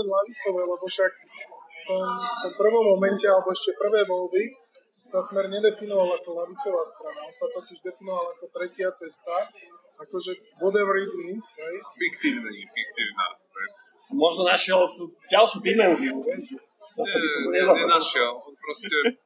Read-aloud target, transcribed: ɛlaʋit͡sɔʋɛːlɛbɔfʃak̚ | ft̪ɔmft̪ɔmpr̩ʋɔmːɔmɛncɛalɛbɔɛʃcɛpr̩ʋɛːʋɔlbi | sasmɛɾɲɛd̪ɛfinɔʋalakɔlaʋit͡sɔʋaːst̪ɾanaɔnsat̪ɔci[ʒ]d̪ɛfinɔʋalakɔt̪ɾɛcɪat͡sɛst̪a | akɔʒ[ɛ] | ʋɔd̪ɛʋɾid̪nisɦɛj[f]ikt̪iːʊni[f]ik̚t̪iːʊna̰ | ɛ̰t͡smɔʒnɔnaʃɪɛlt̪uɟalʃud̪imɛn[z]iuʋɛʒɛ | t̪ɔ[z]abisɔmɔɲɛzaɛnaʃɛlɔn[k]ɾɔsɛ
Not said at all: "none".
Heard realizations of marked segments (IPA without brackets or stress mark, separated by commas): ʒ, ɛ, f, f, z, s, p